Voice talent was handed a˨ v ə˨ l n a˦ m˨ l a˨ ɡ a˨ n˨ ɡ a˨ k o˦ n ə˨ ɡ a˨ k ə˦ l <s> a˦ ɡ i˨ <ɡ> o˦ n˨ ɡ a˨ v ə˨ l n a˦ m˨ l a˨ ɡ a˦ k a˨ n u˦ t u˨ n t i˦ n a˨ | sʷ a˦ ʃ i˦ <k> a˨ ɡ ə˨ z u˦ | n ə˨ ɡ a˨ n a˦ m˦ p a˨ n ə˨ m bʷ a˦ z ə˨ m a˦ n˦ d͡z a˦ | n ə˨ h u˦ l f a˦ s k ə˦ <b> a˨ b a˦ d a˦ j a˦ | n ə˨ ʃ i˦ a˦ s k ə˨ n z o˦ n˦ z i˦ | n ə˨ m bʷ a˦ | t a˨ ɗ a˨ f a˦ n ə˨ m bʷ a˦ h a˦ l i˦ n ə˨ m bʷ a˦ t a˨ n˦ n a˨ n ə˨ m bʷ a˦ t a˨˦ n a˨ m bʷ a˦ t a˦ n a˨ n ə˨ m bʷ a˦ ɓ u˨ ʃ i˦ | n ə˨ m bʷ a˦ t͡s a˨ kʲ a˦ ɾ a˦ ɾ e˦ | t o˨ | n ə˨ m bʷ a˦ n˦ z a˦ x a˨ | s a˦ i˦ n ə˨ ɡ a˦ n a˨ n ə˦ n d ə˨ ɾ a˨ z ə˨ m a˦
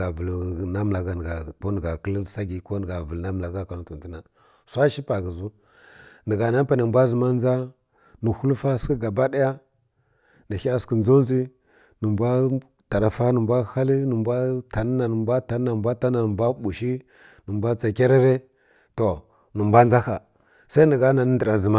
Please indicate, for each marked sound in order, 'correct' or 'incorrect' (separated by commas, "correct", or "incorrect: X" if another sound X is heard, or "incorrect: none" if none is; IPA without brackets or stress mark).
correct, incorrect: k, incorrect: p, incorrect: ɡ